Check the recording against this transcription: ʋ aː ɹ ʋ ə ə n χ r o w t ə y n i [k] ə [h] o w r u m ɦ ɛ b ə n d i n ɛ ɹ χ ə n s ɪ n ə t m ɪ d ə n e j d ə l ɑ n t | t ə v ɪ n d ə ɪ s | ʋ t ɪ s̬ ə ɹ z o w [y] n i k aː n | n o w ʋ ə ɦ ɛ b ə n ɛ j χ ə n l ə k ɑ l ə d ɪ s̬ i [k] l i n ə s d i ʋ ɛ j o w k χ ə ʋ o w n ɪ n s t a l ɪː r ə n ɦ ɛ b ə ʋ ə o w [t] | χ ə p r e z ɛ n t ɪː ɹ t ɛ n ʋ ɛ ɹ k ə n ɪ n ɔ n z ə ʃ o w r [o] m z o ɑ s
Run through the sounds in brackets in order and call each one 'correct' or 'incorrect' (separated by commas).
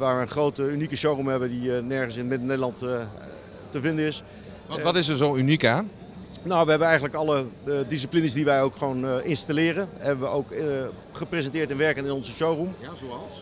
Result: correct, incorrect, correct, incorrect, incorrect, incorrect